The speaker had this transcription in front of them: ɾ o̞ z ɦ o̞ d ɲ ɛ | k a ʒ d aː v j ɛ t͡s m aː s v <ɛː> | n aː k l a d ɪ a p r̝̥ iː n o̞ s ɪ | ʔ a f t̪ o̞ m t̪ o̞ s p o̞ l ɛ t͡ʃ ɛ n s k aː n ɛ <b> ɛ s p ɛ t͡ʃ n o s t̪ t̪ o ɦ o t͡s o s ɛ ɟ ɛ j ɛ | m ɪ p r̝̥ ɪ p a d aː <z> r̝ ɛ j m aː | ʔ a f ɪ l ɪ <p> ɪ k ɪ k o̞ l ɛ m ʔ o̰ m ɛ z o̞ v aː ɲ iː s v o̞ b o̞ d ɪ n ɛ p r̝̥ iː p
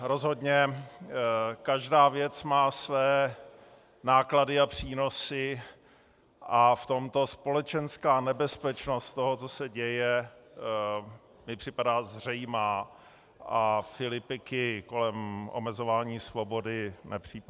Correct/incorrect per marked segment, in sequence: correct, correct, correct, correct

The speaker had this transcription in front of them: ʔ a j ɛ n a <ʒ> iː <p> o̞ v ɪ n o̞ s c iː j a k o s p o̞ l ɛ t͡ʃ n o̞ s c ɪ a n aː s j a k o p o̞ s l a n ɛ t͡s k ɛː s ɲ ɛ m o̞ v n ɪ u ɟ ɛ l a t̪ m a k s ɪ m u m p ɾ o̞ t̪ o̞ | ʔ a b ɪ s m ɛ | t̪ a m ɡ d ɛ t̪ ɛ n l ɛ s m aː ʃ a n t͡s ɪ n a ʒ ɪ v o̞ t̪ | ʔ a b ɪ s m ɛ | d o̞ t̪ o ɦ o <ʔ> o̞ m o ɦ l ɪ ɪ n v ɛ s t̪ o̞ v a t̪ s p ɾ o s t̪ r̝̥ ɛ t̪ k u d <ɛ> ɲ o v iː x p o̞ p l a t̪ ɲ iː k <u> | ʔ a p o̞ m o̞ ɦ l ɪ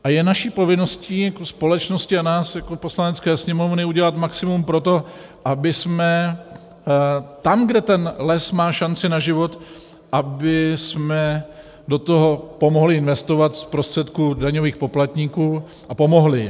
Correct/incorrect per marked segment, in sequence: incorrect, correct, incorrect, incorrect, incorrect

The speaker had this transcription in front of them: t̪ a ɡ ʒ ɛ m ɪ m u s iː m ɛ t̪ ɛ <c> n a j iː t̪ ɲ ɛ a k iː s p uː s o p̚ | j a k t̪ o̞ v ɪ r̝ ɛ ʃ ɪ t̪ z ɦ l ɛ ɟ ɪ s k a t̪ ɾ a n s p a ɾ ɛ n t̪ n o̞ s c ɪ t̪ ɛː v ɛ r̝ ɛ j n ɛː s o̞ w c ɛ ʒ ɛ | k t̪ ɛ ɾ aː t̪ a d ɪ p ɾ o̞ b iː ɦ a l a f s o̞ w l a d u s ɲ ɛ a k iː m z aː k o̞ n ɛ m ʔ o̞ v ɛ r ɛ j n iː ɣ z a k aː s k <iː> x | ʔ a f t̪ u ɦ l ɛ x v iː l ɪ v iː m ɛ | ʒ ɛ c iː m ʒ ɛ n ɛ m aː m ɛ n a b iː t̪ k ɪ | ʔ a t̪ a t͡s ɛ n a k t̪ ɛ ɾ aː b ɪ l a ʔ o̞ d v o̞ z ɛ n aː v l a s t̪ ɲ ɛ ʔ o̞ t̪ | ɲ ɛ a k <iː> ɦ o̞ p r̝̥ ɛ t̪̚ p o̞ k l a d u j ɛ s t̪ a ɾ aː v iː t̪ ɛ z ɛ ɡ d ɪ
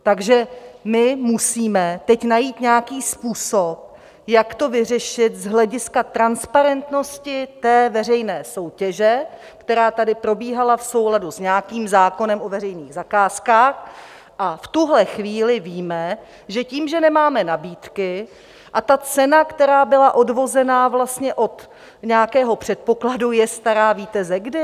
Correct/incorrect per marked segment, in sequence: correct, incorrect, incorrect

